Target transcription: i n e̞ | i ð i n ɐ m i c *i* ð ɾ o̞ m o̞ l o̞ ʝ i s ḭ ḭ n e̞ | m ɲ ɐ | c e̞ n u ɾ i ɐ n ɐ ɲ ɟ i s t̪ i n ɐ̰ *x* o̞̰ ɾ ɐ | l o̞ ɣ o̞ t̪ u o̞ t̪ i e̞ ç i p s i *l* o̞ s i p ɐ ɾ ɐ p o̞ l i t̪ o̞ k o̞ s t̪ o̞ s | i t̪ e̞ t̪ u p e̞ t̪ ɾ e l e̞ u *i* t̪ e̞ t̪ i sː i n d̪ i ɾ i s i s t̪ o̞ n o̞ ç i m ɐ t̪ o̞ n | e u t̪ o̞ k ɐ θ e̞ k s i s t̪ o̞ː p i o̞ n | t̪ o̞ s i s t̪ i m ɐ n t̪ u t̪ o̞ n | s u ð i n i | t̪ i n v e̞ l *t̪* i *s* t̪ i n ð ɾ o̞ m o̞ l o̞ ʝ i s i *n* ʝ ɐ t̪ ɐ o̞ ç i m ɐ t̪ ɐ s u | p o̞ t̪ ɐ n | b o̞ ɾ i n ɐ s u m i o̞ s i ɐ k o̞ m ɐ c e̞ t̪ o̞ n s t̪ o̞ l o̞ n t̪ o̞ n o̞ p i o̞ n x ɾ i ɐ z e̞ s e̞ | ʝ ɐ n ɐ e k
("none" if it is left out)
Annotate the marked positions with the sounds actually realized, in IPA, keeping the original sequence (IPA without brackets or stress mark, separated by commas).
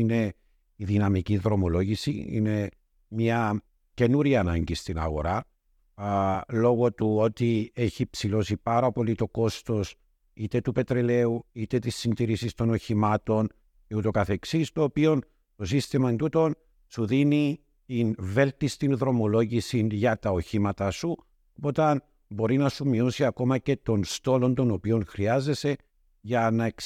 i, ɣ, l, i, t̪, s, n